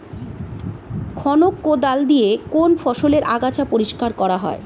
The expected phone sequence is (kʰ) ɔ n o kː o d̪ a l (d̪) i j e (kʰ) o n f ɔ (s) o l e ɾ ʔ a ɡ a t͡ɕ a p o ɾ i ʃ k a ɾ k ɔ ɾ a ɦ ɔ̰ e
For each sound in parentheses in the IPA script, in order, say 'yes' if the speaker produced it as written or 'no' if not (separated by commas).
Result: yes, yes, no, no